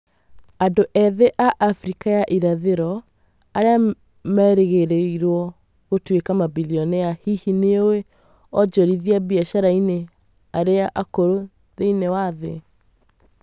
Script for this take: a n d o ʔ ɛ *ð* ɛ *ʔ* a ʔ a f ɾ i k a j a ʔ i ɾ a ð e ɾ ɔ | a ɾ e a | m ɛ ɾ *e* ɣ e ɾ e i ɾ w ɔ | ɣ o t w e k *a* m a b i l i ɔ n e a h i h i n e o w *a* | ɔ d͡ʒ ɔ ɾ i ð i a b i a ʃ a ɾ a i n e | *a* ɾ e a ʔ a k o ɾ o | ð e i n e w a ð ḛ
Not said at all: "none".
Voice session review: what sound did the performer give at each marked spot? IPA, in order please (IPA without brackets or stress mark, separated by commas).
ð, ʔ, e, a, e, a